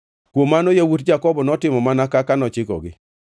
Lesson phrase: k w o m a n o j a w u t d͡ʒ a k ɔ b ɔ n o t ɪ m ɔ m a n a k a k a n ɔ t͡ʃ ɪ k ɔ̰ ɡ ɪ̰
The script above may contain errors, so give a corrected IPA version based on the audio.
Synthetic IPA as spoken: k w o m a n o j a w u t d͡ʒ a k ɔ b ɔ n ɔ t ɪ m ɔ m a n a k a k a n ɔ t͡ʃ ɪ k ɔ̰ ɡ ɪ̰